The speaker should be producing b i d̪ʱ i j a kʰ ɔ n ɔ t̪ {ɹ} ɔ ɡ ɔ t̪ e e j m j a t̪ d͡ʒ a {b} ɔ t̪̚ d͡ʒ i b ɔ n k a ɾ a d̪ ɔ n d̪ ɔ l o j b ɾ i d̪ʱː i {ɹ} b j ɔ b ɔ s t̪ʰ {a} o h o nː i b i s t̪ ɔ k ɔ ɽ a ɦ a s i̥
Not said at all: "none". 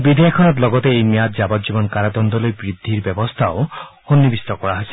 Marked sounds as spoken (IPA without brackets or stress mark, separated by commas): l, b, ɾ, a